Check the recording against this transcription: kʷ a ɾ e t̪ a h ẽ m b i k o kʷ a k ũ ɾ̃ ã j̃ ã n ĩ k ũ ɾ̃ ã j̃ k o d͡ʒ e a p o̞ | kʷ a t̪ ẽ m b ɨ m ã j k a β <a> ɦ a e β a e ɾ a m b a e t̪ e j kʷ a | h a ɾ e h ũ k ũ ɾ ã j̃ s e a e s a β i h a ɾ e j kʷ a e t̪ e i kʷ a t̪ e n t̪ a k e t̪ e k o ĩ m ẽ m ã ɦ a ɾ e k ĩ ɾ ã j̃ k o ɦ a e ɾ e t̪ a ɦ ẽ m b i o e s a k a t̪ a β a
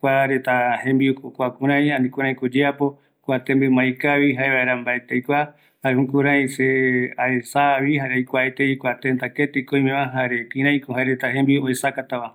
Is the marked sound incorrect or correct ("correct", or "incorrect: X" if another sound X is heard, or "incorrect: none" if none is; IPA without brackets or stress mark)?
incorrect: i